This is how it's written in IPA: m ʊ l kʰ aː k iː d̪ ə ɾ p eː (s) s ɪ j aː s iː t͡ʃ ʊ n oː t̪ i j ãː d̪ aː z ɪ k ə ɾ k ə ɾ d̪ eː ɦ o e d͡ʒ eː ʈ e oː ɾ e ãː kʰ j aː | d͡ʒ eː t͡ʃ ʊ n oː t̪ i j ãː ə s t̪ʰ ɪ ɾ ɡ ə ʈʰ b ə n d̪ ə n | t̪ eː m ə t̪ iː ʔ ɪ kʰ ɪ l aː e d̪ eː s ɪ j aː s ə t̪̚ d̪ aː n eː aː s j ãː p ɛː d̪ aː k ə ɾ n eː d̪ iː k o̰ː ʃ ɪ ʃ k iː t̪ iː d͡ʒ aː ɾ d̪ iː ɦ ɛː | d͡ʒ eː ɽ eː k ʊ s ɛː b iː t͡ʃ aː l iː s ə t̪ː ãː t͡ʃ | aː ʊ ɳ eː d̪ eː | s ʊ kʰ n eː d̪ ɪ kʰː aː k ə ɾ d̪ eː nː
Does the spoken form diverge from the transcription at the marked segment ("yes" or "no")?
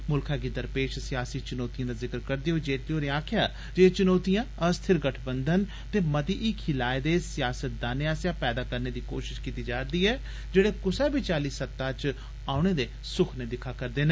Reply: yes